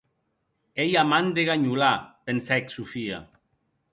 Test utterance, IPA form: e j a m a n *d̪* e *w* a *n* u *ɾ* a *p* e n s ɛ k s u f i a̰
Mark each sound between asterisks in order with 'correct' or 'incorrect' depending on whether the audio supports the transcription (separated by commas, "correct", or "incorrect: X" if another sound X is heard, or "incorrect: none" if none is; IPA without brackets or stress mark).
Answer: correct, incorrect: ɣ, incorrect: ɲ, incorrect: l, correct